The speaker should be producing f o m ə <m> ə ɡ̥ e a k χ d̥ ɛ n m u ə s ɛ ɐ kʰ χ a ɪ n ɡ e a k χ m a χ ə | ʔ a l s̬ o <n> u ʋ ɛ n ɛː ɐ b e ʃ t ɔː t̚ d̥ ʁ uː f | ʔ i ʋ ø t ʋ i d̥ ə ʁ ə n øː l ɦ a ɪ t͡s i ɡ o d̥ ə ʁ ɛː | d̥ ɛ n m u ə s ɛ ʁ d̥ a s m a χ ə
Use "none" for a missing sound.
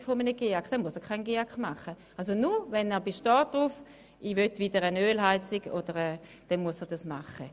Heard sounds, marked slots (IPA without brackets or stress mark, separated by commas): n, n